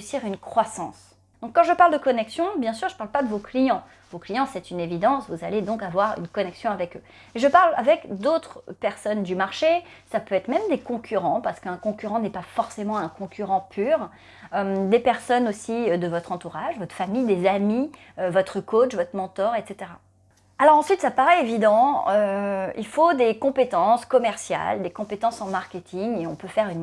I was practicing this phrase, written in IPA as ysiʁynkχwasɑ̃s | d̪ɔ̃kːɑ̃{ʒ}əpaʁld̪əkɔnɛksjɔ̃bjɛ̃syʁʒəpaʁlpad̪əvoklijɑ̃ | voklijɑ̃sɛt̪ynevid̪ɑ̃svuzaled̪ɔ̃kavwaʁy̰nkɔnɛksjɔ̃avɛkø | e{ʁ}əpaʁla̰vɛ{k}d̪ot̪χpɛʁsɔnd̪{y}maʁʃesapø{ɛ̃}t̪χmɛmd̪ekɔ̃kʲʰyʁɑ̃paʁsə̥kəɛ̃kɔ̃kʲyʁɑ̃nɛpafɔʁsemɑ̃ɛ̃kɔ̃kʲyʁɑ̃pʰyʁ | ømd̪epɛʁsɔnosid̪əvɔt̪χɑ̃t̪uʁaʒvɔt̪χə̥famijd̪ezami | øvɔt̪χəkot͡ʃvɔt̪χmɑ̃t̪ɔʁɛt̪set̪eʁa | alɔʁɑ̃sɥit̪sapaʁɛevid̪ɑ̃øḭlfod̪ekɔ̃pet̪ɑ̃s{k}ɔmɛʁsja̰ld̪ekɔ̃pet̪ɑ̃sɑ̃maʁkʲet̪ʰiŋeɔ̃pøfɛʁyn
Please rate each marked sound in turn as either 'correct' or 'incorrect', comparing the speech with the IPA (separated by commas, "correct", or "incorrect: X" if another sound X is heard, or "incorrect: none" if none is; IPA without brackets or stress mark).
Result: correct, incorrect: ʒ, correct, correct, incorrect: ɛ, correct